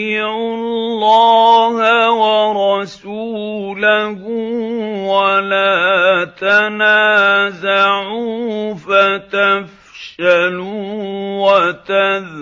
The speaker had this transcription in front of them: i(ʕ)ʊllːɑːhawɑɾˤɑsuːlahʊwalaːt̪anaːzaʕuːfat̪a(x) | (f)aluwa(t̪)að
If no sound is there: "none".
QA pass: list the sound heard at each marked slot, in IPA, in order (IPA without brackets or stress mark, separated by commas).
ʕ, f, ʃ, t̪